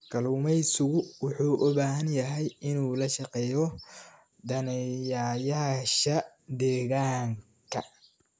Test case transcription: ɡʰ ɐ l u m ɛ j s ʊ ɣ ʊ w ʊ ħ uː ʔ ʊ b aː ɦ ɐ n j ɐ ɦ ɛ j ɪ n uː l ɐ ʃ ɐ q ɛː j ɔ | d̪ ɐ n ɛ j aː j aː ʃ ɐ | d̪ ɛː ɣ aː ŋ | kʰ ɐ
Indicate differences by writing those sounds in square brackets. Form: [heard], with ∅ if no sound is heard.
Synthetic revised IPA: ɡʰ ɐ l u m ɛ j s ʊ ɣ ʊ w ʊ ħ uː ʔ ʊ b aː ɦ ɐ n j ɐ ɦ ɛ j ɪ n uː l ɐ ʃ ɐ q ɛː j ɔ | d̪ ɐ n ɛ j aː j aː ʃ ɐ | d̪ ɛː ɣ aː ŋ | kʰ ɐ